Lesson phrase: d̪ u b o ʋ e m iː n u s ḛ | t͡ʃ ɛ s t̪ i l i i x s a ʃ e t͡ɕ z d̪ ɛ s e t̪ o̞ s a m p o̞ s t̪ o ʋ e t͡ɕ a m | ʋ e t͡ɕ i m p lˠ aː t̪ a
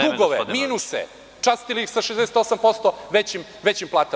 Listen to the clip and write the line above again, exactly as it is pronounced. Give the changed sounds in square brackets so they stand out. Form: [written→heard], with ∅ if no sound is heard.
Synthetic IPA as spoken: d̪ u [b→ɡ] o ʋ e m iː n u s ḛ | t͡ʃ [ɛ→a] s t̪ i l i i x s a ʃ e [t͡ɕ→∅] z d̪ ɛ s e t̪ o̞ s a m p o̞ s t̪ o ʋ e t͡ɕ [a→i] m | ʋ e t͡ɕ i m p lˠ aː t̪ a